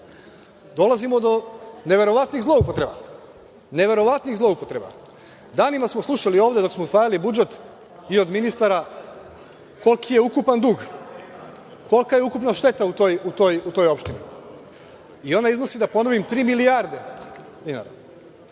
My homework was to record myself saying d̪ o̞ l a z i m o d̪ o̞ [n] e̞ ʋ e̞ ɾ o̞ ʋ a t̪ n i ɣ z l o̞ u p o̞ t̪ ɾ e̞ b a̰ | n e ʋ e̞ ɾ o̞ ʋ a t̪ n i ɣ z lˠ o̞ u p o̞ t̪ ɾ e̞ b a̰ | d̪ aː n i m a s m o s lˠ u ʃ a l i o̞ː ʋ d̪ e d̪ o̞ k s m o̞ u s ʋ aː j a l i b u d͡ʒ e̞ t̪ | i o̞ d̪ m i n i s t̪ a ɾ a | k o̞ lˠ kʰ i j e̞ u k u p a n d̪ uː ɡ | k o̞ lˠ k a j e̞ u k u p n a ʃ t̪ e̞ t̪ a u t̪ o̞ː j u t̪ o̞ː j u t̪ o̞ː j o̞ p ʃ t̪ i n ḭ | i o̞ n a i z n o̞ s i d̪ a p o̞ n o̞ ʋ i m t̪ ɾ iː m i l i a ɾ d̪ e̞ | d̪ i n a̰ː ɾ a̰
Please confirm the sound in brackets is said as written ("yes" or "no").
yes